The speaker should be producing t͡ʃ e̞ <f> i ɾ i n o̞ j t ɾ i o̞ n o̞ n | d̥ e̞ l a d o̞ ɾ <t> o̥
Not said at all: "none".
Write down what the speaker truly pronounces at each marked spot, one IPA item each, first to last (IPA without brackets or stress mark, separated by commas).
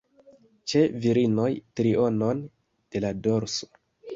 v, s